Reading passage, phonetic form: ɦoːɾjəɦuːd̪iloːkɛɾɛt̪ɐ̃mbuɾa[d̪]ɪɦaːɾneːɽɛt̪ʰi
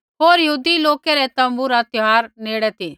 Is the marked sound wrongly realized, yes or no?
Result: yes